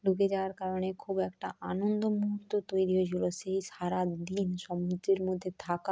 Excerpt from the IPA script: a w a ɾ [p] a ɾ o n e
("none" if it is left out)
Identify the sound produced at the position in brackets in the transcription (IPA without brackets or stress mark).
k